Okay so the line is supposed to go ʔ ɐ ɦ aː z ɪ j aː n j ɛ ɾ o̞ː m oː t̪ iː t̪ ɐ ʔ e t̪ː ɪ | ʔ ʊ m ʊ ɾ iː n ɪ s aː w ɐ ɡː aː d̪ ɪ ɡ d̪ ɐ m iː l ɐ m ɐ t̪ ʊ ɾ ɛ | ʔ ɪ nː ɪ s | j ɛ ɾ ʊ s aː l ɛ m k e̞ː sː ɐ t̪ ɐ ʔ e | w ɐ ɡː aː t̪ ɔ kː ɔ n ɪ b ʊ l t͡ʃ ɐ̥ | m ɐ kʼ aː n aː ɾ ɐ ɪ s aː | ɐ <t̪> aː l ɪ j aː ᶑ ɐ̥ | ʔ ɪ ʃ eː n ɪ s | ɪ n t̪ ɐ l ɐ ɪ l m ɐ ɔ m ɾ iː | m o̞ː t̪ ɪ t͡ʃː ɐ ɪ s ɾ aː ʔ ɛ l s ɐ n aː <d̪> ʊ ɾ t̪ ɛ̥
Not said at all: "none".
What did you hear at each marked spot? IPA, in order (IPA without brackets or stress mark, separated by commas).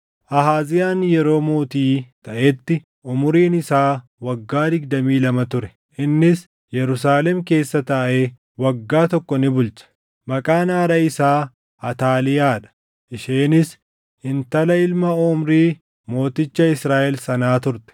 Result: t̪, t̪